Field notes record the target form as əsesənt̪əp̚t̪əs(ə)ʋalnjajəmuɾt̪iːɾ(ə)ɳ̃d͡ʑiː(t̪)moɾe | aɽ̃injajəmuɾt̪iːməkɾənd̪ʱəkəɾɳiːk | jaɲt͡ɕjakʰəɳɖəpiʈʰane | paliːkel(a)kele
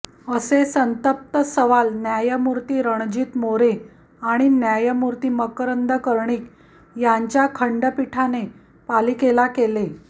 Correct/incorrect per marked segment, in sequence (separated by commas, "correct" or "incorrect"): correct, correct, correct, correct